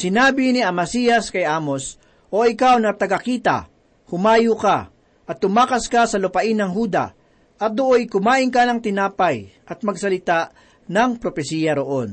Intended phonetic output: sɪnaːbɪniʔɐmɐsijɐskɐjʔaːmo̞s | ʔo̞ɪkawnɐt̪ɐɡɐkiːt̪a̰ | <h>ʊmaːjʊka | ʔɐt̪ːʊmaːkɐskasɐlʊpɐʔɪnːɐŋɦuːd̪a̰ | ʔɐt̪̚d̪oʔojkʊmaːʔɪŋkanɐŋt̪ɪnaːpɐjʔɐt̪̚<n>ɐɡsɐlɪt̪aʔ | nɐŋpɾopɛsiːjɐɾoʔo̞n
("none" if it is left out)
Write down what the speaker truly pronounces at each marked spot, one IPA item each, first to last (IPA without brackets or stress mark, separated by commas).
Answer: h, m